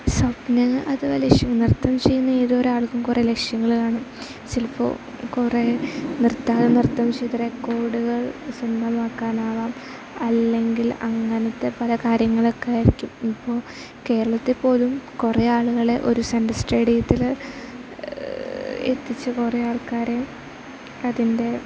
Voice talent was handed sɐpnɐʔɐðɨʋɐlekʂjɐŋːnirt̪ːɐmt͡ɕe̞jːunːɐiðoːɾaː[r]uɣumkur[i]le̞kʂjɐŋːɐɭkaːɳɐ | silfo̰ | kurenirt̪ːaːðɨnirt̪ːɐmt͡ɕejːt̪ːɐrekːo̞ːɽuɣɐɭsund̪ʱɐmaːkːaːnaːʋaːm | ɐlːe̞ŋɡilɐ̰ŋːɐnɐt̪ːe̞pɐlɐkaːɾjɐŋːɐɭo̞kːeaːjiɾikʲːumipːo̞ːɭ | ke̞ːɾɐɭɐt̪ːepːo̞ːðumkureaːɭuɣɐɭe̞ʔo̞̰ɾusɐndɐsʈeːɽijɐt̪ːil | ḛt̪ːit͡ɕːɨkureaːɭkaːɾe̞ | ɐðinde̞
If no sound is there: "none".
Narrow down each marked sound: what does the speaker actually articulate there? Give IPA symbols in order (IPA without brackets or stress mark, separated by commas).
ɭ, e